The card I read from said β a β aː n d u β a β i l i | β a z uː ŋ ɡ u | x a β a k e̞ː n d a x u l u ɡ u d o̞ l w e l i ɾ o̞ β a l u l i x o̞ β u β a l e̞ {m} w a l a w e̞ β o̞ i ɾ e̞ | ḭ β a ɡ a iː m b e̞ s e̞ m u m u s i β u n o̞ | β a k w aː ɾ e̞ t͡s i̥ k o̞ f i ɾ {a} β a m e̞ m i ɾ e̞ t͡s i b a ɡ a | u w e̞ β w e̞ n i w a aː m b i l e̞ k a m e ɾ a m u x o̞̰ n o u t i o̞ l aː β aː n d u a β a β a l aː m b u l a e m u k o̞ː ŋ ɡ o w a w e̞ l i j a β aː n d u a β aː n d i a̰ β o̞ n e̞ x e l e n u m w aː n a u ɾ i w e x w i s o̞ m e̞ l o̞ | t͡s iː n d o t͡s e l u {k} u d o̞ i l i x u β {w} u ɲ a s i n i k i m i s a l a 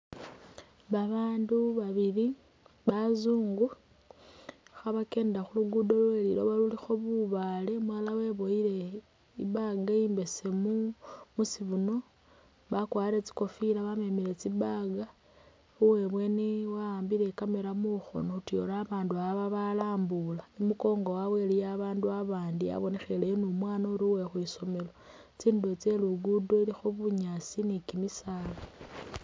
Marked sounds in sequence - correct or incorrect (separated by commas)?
correct, correct, incorrect, incorrect